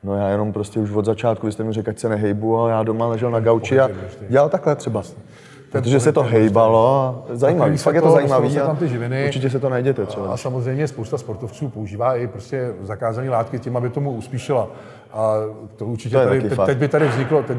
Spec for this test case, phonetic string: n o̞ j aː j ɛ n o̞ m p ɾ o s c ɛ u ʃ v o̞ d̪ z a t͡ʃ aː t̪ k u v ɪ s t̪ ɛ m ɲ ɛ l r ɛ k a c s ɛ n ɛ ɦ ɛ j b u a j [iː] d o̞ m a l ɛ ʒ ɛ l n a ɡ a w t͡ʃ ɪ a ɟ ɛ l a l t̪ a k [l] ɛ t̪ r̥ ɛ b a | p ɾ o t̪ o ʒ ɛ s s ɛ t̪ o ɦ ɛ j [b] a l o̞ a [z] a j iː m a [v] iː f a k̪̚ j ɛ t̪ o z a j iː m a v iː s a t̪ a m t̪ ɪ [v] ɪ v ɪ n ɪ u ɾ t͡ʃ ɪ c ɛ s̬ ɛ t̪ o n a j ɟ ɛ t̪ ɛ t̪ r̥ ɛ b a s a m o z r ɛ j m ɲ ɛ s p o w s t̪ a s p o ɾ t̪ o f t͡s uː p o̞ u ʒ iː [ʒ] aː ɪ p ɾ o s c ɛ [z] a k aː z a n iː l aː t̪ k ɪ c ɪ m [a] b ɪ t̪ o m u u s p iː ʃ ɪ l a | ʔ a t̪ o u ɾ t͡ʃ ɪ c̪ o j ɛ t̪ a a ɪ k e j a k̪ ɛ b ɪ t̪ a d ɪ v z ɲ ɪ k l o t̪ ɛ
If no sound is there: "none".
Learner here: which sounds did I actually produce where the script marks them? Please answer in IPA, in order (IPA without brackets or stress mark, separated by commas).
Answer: aː, l, b, z, v, ʒ, v, z, a